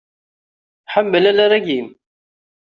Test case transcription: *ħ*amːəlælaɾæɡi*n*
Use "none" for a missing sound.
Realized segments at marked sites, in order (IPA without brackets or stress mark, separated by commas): ħ, m